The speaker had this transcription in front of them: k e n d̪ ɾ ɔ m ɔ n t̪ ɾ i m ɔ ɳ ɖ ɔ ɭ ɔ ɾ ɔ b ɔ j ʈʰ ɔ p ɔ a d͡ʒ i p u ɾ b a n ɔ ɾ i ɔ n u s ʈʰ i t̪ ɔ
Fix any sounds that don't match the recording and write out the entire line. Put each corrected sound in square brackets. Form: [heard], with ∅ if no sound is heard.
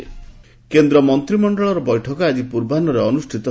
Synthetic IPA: k e n d̪ ɾ ɔ m ɔ n t̪ ɾ i m ɔ ɳ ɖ ɔ ɭ ɔ ɾ ɔ b ɔ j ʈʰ ɔ [k] ɔ a d͡ʒ i p u ɾ b a n ɔ ɾ [e] ɔ n u s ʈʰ i t̪ ɔ